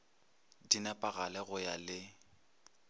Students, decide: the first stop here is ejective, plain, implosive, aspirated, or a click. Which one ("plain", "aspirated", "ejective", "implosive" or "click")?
plain